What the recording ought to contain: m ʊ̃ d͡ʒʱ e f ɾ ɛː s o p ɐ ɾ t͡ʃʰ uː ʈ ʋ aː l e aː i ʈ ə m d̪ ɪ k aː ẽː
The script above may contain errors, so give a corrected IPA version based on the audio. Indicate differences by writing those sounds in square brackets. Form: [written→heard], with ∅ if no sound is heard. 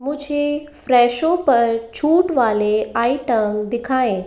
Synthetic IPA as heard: m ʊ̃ d͡ʒʱ e f ɾ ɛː [s→ʃ] o p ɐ ɾ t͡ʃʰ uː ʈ ʋ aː l e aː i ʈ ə m d̪ ɪ [k→kʰ] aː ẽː